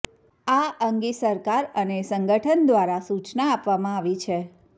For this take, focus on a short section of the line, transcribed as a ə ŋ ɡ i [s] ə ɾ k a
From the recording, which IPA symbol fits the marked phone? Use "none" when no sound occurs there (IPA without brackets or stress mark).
s